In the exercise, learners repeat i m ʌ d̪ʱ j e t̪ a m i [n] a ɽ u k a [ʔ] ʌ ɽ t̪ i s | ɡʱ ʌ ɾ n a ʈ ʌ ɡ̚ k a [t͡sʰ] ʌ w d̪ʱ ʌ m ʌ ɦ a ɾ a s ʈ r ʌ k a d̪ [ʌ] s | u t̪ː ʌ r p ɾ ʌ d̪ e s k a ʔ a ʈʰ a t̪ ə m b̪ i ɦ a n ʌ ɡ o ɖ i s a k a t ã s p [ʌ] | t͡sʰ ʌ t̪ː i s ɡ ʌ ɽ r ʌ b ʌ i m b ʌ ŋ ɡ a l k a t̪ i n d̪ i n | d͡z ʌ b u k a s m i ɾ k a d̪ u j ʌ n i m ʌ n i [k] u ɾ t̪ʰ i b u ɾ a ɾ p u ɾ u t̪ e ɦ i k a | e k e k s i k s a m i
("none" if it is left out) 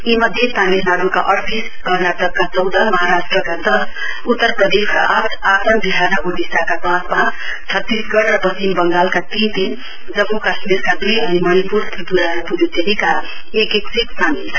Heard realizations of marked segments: n, ʔ, t͡s, ʌ, a, p

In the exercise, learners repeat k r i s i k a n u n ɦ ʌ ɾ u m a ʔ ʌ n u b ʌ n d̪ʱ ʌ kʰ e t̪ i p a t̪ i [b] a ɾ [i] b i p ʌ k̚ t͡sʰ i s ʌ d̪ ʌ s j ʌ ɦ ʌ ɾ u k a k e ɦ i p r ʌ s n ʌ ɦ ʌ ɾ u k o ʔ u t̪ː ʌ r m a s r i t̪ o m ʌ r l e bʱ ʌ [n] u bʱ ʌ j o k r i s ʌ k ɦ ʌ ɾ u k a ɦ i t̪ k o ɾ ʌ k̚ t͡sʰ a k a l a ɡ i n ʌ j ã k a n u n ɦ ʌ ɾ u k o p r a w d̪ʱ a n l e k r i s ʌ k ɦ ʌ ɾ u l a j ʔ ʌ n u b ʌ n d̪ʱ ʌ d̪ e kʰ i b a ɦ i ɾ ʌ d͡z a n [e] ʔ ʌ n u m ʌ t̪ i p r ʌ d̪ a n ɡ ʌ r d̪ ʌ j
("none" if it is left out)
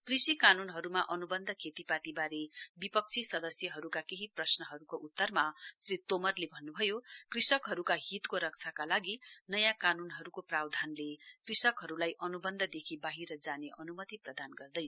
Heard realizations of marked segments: b, e, nː, e

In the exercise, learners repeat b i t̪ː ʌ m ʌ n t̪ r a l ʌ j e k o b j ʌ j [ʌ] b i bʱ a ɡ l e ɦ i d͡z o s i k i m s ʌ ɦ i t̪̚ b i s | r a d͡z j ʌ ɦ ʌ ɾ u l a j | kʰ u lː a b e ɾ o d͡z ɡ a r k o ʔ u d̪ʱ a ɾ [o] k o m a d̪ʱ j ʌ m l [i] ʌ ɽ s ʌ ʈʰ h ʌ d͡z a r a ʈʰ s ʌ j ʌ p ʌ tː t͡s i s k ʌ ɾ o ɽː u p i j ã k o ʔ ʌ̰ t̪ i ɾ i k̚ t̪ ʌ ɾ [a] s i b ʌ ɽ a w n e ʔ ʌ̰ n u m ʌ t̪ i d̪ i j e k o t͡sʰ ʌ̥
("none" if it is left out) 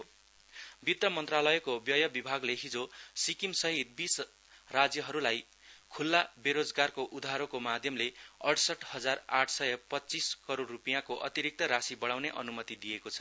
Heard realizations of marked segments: ʌ, o, e, a

